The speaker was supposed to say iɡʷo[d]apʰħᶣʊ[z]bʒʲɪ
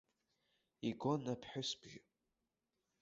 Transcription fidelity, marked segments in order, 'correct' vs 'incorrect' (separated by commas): incorrect, incorrect